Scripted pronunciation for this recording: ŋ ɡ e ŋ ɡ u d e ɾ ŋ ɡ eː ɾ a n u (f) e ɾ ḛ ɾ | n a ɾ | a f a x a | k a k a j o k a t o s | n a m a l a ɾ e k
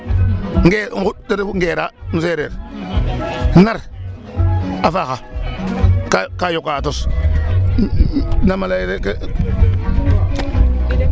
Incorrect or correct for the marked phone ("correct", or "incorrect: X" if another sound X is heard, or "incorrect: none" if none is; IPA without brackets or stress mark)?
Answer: incorrect: s